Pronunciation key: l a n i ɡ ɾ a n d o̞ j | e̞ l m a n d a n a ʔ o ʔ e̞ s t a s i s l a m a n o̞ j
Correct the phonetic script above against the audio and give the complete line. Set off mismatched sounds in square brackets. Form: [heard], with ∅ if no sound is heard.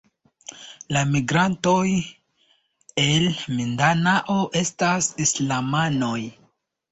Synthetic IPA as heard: l a [m] i ɡ ɾ a n [t] o̞ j | e̞ l m [i] n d a n a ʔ o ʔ e̞ s t a s i s l a m a n o̞ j

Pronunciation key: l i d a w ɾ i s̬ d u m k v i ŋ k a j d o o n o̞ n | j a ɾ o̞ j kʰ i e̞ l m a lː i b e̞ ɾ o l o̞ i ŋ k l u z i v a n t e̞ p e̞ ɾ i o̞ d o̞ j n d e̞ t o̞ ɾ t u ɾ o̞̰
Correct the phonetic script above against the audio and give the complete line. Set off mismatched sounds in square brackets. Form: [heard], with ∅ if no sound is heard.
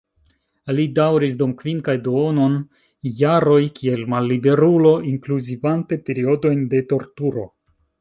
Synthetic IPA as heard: l i d a w ɾ i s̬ d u m k v i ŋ k a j d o o n o̞ n | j a ɾ o̞ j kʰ i e̞ l m a lː i b e̞ ɾ [u] l o̞ i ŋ k l u z i v a n t e̞ p e̞ ɾ i o̞ d o̞ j n d e̞ t o̞ ɾ t u ɾ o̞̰

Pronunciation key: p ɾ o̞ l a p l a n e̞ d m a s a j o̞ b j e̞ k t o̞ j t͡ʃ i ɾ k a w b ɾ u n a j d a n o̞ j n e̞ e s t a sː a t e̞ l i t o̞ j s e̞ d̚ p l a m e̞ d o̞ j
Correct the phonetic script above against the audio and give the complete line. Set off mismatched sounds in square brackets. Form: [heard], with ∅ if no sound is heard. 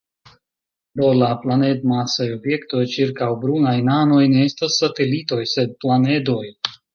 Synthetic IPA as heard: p ɾ o̞ l a p l a n e̞ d m a s a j o̞ b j e̞ k t o̞ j t͡ʃ i ɾ k a w b ɾ u n a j [n] a n o̞ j n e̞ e s t a sː a t e̞ l i t o̞ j s e̞ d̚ p l a [n] e̞ d o̞ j

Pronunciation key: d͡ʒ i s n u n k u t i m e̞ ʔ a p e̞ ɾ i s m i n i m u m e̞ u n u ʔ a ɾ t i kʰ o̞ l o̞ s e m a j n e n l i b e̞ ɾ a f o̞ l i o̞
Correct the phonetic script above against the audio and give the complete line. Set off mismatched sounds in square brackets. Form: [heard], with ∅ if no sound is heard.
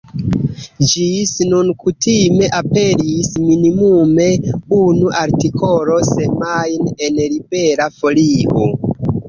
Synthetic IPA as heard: d͡ʒ i s n u n k u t i m e̞ ʔ a p e̞ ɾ i s m i n i m u m e̞ u n u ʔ a ɾ t i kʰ o̞ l o̞ s e m a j n e n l i b e̞ ɾ a f o̞ l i o̞

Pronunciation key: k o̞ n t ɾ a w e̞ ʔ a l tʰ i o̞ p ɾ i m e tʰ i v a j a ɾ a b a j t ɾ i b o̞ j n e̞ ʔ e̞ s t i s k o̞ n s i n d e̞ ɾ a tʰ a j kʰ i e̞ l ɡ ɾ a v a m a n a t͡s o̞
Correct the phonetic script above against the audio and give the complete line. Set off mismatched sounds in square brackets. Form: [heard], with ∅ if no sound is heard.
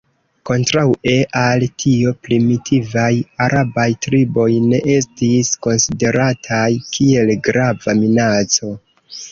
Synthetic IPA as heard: k o̞ n t ɾ a w e̞ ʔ a l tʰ i o̞ p ɾ i m [i] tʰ i v a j a ɾ a b a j t ɾ i b o̞ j n e̞ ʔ e̞ s t i s k o̞ n s i [∅] d e̞ ɾ a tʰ a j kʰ i e̞ l ɡ ɾ a v a m [i] n a t͡s o̞

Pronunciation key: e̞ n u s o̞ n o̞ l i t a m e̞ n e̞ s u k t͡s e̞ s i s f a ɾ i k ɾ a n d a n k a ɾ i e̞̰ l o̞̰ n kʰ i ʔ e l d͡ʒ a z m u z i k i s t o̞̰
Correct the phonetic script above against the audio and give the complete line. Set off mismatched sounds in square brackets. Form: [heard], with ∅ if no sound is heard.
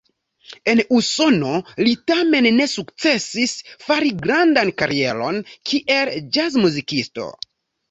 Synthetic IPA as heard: e̞ n u s o̞ n o̞ l i t a m e̞ [nː] e̞ s u k t͡s e̞ s i s f a ɾ i [ɡ] ɾ a n d a n k a ɾ i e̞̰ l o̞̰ n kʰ i ʔ e l d͡ʒ a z m u z i k i s t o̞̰

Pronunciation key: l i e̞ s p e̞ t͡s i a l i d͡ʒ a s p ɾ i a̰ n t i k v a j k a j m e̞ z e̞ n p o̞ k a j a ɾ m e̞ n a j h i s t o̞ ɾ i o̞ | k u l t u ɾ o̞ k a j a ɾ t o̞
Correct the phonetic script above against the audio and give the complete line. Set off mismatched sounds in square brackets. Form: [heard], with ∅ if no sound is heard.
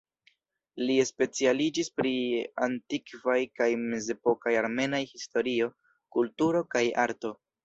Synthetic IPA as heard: l i e̞ s p e̞ t͡s i a l i d͡ʒ [i] s p ɾ i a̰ n t i k v a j k a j m e̞ z e̞ [∅] p o̞ k a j a ɾ m e̞ n a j h i s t o̞ ɾ i o̞ | k u l t u ɾ o̞ k a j a ɾ t o̞

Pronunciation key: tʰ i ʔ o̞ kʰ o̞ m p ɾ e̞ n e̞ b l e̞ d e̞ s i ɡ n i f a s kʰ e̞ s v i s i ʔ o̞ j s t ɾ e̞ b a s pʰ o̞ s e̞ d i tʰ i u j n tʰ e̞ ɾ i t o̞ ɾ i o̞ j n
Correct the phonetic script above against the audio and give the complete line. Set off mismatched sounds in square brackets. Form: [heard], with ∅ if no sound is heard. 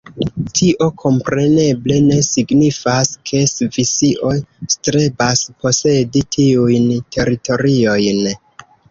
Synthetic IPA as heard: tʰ i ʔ o̞ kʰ o̞ m p ɾ e̞ n e̞ b l e̞ [n] e̞ s i ɡ n i f a s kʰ e̞ s v i s i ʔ o̞ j s t ɾ e̞ b a s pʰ o̞ s e̞ d i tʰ i u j n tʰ e̞ ɾ i t o̞ ɾ i o̞ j n

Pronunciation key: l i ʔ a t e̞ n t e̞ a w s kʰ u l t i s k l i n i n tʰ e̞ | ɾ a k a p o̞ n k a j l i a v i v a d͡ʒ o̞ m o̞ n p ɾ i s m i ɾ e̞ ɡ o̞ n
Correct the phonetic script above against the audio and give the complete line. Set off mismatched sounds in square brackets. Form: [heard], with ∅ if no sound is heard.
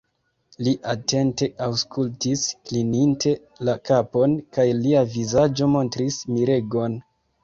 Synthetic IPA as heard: l i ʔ a t e̞ n t e̞ a w s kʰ u l t i s k l i n i n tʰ e̞ | [l] a k a p o̞ n k a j l i a v i [z] a d͡ʒ o̞ m o̞ n [t] ɾ i s m i ɾ e̞ ɡ o̞ n

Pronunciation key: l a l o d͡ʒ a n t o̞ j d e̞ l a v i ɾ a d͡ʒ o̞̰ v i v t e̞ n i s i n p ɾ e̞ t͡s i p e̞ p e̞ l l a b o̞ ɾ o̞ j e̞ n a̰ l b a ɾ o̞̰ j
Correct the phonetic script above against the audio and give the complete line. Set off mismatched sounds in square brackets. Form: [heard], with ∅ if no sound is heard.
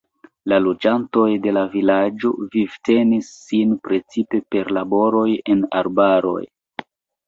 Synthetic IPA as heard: l a l o d͡ʒ a n t o̞ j d e̞ l a v i [l] a d͡ʒ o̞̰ v i v t e̞ n i [sː] i n p ɾ e̞ t͡s i p e̞ p e̞ [ɾ] l a b o̞ ɾ o̞ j e̞ n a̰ [ɾ] b a ɾ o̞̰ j

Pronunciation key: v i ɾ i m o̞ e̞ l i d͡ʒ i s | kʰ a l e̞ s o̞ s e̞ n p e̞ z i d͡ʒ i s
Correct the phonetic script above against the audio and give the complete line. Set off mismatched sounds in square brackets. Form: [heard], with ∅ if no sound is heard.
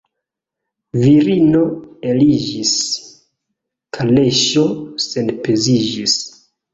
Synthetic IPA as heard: v i ɾ i [n] o̞ e̞ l i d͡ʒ i s | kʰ a l e̞ [ʃ] o̞ s e̞ n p e̞ z i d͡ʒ i s

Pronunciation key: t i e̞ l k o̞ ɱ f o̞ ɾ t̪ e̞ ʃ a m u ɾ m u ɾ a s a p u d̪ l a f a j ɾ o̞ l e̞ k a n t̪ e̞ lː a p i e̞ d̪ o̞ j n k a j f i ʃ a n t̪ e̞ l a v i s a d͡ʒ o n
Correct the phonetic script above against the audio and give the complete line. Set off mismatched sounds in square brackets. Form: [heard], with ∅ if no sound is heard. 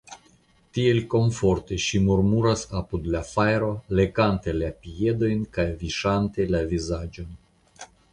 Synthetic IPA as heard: t i e̞ l k o̞ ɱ f o̞ ɾ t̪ e̞ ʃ [i] m u ɾ m u ɾ a s a p u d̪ l a f a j ɾ o̞ l e̞ k a n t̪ e̞ [l] a p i e̞ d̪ o̞ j n k a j [v] i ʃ a n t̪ e̞ l a v i [z] a d͡ʒ o n

